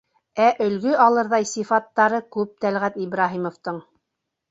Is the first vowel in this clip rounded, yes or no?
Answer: no